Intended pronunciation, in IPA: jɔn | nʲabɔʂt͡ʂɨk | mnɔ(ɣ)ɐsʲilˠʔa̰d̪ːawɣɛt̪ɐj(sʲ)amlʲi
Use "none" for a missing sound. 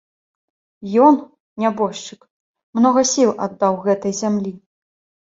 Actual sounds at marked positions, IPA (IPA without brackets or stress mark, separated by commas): ɣ, zʲ